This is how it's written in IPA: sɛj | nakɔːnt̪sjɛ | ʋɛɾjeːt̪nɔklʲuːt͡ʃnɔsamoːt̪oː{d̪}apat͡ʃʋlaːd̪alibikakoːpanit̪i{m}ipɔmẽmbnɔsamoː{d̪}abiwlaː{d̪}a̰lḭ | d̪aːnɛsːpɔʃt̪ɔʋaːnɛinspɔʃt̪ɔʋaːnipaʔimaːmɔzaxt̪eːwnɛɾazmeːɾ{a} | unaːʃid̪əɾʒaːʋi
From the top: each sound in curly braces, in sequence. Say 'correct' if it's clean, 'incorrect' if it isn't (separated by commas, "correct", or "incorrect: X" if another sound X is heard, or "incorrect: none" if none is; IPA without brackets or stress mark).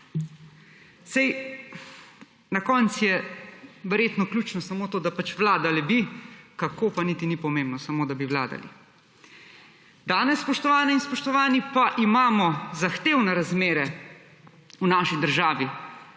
correct, incorrect: n, correct, correct, incorrect: ɛ